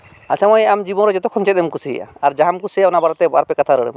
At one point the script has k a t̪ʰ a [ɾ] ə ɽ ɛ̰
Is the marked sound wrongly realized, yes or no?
no